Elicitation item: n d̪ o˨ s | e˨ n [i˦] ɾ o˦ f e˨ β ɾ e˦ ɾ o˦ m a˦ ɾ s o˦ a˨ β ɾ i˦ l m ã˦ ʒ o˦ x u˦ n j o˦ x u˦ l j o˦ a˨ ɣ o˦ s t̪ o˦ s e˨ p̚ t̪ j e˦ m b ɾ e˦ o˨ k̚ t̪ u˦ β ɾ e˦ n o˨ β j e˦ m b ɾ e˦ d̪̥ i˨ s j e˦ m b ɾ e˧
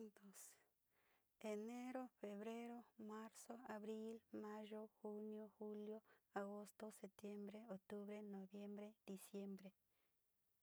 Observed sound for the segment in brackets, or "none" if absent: e˦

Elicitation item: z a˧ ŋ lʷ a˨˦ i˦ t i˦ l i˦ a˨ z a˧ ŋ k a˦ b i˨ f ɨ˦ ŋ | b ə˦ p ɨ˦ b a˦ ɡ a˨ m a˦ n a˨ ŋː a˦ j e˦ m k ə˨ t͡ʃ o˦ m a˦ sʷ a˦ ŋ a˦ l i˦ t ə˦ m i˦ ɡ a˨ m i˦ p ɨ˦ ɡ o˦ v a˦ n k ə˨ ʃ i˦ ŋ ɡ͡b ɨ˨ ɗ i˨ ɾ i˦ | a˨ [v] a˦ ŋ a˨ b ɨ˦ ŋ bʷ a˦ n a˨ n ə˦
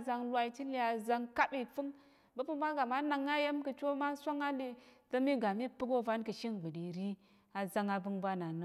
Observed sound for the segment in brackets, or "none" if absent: z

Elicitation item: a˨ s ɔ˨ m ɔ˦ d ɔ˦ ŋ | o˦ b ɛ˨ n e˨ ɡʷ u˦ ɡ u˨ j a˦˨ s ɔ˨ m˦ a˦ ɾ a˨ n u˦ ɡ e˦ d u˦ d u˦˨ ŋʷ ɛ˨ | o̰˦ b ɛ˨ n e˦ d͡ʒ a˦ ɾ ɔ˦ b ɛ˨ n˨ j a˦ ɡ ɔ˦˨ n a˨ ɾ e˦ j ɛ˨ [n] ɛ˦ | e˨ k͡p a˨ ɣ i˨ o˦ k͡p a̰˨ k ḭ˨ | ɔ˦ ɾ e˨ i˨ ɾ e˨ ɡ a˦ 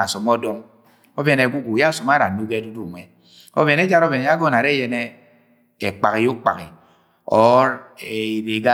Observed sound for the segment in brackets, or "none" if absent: n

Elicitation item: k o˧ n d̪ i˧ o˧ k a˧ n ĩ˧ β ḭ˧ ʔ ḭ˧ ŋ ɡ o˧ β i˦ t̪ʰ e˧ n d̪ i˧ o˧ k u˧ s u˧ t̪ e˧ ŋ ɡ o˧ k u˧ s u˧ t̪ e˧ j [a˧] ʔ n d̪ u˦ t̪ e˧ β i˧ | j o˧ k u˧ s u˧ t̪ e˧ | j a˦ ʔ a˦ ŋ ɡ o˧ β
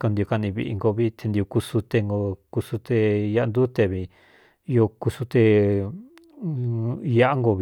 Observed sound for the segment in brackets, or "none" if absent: a˧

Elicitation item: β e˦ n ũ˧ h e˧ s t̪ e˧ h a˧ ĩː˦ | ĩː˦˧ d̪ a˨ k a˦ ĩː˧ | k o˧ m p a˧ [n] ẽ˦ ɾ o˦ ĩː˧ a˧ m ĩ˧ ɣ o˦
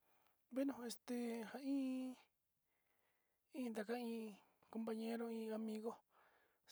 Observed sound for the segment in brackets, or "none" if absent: ɲ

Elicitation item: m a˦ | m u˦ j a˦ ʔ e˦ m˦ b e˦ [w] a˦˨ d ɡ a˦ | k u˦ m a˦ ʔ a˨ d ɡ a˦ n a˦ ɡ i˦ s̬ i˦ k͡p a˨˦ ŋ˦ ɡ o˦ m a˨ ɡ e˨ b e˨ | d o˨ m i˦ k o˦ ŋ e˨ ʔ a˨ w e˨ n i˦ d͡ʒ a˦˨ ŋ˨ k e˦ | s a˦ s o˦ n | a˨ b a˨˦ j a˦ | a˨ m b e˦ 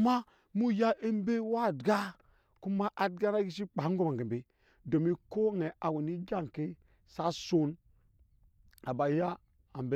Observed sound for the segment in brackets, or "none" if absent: w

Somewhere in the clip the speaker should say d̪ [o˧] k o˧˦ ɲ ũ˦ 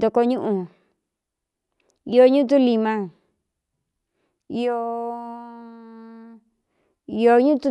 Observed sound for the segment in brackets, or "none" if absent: o˧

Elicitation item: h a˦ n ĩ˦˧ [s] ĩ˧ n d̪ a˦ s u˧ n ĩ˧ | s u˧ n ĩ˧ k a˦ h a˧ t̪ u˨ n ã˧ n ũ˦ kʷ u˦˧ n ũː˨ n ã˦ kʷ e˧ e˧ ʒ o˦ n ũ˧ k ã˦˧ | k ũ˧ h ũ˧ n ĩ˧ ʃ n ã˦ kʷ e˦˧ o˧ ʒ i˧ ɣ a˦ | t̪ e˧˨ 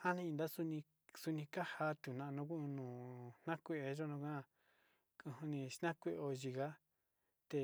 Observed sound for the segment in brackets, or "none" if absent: none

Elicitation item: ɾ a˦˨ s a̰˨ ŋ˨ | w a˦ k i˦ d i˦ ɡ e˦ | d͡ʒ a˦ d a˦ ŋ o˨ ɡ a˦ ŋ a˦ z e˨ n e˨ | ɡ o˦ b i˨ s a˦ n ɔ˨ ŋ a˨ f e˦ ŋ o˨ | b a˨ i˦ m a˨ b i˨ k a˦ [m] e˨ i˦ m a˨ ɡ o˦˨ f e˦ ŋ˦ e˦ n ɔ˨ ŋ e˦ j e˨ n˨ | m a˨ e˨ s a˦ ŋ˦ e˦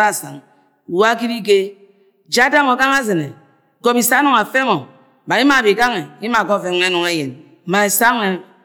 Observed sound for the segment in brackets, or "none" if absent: ŋ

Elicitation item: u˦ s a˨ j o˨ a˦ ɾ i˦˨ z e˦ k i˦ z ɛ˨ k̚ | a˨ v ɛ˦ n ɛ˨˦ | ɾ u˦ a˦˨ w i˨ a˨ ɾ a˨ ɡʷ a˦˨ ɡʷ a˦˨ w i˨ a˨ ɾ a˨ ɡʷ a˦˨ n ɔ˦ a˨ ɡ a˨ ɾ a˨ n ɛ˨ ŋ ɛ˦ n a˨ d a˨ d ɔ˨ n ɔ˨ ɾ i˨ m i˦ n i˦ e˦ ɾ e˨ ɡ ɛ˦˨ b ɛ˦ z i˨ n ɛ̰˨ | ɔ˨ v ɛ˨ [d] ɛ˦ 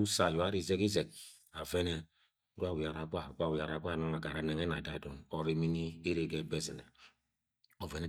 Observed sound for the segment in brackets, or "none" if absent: n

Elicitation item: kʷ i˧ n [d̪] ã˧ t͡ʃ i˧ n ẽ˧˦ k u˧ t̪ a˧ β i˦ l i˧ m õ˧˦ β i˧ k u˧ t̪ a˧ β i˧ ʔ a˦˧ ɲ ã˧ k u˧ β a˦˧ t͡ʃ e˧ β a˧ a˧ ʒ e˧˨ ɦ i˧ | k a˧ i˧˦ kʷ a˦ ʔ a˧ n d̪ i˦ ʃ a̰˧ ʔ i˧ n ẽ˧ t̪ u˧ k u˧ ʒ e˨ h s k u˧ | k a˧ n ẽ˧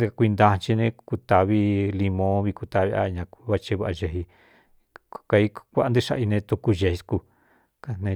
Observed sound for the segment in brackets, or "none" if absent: d̪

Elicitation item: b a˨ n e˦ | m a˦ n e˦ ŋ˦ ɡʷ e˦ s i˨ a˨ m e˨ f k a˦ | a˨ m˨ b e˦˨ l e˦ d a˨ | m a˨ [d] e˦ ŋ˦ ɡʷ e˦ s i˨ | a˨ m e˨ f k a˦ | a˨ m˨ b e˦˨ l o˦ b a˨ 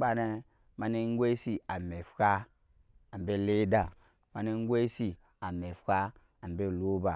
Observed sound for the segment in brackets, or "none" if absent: n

